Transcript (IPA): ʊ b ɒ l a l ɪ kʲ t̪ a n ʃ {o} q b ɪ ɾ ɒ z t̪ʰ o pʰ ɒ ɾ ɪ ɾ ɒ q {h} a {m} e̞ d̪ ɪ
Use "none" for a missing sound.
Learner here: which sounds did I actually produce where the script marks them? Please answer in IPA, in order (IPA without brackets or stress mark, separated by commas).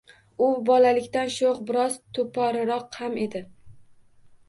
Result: o, h, m